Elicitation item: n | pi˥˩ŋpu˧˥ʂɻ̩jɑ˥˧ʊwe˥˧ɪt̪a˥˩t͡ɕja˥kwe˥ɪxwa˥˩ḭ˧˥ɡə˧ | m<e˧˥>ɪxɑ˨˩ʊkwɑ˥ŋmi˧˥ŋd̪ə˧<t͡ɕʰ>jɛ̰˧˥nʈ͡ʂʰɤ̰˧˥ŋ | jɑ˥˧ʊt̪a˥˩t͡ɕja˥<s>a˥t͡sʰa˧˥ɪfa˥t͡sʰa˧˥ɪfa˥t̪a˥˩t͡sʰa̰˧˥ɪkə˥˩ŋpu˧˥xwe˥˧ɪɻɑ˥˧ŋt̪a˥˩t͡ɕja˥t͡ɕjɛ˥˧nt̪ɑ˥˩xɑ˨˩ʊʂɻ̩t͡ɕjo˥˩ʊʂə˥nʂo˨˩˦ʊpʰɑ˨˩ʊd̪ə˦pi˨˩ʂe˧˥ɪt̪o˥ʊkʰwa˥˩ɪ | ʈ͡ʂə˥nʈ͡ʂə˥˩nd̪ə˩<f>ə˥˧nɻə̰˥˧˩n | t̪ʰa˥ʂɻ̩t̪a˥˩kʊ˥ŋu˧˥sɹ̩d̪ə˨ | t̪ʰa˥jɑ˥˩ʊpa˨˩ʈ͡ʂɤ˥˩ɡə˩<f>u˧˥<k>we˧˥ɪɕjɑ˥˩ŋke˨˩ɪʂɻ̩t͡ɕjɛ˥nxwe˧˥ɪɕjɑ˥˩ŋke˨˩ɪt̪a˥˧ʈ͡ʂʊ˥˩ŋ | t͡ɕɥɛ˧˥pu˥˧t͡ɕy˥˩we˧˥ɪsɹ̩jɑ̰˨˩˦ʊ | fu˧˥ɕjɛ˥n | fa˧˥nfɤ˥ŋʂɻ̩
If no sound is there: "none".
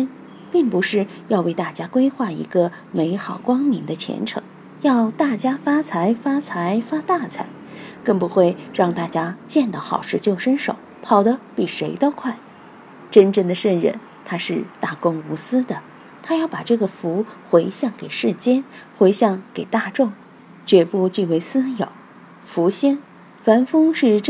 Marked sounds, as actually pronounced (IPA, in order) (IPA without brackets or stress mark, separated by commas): e˧˥, t͡ɕʰ, f, ʂ, f, x